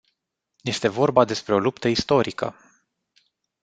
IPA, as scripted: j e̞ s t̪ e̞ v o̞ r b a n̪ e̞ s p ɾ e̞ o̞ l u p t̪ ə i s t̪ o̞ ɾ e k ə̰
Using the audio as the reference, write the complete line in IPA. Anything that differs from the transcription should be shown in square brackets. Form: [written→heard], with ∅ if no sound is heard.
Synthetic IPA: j e̞ s t̪ e̞ v o̞ r b a [n̪→d̪] e̞ s p ɾ e̞ o̞ l u p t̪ ə i s t̪ o̞ ɾ [e→i] k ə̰